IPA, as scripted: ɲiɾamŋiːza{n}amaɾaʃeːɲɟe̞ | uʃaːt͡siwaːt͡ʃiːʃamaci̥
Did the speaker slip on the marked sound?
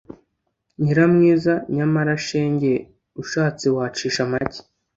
yes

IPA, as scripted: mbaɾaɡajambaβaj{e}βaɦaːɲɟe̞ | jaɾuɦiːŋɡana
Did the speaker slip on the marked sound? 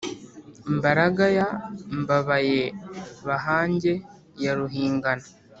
no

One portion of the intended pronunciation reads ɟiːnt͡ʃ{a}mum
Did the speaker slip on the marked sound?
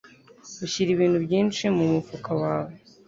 yes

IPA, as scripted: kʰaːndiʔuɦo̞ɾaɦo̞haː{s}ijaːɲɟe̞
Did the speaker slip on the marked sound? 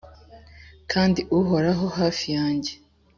yes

